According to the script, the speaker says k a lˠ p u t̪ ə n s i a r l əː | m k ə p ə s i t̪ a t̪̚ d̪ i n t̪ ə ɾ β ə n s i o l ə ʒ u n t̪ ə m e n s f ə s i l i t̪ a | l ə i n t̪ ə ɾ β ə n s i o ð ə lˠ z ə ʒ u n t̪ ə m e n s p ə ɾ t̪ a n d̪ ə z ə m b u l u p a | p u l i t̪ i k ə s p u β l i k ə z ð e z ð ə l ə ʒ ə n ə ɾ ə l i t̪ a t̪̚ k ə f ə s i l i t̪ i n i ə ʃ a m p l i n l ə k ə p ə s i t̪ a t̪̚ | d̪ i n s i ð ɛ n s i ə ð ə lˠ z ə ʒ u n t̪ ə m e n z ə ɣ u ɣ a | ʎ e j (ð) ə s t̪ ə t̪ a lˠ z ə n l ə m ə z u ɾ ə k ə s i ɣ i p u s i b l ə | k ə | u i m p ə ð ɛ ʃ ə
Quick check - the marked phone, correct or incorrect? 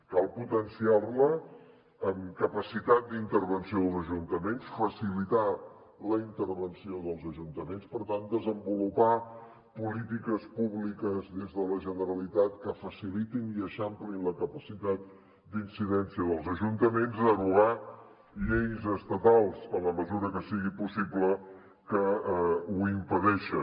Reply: incorrect